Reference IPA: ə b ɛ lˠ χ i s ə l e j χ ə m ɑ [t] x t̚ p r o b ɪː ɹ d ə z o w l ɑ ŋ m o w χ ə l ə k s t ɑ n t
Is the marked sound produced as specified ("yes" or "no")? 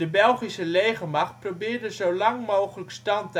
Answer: no